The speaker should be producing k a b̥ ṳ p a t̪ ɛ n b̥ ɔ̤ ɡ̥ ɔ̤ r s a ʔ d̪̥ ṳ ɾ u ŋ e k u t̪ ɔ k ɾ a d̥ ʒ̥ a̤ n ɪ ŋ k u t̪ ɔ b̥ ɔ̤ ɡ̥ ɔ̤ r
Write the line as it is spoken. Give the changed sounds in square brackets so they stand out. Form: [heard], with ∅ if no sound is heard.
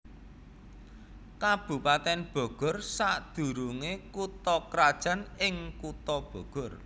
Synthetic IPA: k a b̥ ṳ p a t̪ ɛ n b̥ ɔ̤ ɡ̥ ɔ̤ r s a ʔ d̪̥ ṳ ɾ u ŋ e k u t̪ ɔ k ɾ a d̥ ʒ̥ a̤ n ɪ ŋ k u t̪ ɔ b̥ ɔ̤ ɡ̥ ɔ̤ r